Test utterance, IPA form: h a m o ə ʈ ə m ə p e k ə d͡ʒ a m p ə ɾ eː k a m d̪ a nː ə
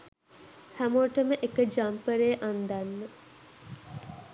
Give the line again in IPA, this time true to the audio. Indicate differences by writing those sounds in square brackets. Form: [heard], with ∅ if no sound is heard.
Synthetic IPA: h [æ] m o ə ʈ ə m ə [ʔ] e k ə d͡ʒ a m p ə ɾ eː [ʔ] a [n] d̪ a nː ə